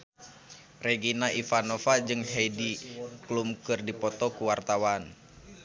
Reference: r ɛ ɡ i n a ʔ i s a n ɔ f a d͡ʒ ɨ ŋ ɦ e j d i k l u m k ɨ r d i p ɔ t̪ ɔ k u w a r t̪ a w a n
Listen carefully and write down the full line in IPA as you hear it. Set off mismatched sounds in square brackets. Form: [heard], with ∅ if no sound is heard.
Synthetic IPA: r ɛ ɡ i n a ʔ i [f] a n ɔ f a d͡ʒ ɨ ŋ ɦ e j d i k l u m k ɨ r d i p ɔ t̪ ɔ k u w a r t̪ a w a n